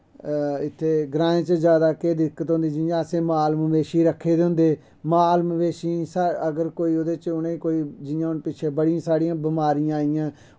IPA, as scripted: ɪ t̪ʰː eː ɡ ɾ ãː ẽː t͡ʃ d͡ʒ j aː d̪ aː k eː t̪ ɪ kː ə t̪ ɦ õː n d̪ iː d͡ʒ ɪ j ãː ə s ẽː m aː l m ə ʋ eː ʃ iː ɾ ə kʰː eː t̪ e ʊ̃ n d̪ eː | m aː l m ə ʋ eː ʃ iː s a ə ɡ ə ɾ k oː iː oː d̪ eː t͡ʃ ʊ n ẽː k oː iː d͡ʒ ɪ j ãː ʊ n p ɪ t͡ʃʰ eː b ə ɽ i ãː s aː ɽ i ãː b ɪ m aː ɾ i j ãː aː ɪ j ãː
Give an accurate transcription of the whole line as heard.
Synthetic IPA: ɪ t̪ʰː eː ɡ ɾ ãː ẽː t͡ʃ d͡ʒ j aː d̪ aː k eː d̪ ɪ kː ə t̪ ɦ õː n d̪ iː d͡ʒ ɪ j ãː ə s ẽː m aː l m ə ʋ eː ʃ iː ɾ ə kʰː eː d̪ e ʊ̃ n d̪ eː | m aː l m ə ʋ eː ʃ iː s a ə ɡ ə ɾ k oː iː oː d̪ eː t͡ʃ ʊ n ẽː k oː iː d͡ʒ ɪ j ãː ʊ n p ɪ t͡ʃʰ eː b ə ɽ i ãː s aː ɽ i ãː b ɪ m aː ɾ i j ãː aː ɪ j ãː